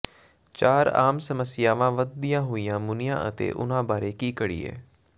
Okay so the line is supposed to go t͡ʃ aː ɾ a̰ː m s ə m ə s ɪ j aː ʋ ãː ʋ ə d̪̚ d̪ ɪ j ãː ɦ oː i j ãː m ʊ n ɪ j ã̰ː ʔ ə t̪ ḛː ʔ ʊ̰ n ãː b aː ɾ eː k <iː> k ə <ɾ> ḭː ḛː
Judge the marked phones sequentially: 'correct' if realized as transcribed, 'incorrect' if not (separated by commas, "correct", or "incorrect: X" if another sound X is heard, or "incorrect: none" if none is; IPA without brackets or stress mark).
correct, incorrect: ɽ